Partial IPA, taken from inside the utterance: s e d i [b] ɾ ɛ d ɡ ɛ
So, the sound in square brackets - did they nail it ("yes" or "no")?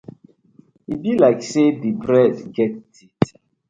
yes